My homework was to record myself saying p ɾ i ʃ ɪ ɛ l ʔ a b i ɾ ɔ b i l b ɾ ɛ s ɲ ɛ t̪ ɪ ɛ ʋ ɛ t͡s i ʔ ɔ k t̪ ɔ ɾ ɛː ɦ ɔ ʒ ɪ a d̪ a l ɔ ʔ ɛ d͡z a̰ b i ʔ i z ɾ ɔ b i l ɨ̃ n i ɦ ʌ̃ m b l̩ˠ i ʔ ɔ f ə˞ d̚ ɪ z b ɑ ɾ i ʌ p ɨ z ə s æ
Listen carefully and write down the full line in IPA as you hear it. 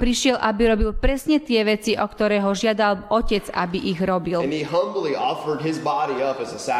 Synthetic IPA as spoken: p ɾ i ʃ ɪ ɛ l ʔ a b i ɾ ɔ b i l p ɾ ɛ s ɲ ɛ t̪ ɪ ɛ ʋ ɛ t͡s i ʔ ɔ k t̪ ɔ ɾ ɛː ɦ ɔ ʒ ɪ a d̪ a l ɔ c ɛ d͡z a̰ b i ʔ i ɣ ɾ ɔ b i l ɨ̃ n i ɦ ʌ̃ m b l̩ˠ i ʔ ɔ f ə˞ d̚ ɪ z b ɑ ɾ i ʌ p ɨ z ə s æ